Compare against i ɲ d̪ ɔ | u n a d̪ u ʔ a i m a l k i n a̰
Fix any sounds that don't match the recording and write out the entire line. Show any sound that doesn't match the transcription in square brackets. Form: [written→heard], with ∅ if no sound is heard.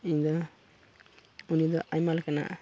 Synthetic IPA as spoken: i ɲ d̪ ɔ | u n [a→i] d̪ [u→ɔ] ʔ a [i→j] m a l k [i→a] n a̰